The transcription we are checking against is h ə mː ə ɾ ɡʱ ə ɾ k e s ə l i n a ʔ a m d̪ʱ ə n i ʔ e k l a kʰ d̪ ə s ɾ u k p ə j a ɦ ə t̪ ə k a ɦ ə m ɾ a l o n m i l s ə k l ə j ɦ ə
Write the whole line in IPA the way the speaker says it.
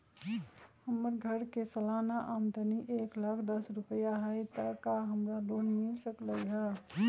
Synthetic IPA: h ə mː ə ɾ ɡʱ ə ɾ k e s ə l a n a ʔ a m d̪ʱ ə n i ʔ e k l a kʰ d̪ ə s ɾ u p ə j a ɦ ə t̪ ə k a ɦ ə m ɾ a l o n m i l s ə k l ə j ɦ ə